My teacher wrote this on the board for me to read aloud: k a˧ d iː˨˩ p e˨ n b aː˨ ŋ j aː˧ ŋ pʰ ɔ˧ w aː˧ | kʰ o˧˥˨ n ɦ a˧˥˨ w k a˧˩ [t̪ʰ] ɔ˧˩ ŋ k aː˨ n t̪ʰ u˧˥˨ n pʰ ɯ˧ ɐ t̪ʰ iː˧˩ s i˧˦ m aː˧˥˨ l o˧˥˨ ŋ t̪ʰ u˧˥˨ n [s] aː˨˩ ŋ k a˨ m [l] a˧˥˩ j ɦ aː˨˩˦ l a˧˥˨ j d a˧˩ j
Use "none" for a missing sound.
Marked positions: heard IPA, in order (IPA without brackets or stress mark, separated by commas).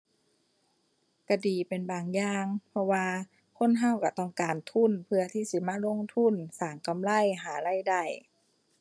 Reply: t̪, s, l